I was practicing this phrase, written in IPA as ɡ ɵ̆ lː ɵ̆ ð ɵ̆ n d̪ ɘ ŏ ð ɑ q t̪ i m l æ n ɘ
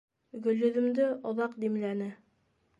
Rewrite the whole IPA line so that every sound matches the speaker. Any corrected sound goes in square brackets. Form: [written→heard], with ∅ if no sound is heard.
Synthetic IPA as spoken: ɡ ɵ̆ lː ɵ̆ ð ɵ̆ [n→m] d̪ ɘ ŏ ð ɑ q [t̪→d̪] i m l æ n ɘ